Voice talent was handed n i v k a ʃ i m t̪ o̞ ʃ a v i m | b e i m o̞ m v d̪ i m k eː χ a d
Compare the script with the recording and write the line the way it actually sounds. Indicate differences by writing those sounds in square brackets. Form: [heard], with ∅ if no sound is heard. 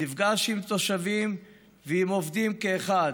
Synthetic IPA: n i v [ɡ] a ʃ i m t̪ o̞ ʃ a v i m | [v] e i m o̞ [∅] v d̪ i m k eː χ a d